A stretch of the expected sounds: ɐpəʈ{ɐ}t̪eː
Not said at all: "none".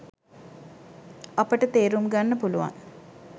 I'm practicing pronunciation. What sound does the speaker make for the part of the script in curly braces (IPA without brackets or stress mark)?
ə